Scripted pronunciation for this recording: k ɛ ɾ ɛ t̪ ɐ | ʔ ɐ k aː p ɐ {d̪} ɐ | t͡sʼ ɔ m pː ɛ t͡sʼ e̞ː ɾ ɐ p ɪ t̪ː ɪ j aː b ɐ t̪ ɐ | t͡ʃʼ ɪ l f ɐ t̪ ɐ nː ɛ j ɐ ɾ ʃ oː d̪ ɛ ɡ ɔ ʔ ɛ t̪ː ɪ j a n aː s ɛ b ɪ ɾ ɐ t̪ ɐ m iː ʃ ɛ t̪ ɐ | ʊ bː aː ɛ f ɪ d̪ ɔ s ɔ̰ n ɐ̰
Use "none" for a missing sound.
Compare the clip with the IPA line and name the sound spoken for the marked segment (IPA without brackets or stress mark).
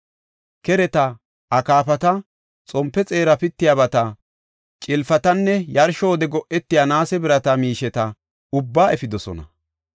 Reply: t̪